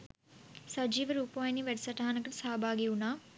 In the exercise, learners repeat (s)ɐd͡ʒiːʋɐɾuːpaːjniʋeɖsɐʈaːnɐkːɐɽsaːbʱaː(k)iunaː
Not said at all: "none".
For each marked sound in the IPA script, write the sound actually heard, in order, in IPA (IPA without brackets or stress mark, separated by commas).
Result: s, ɡ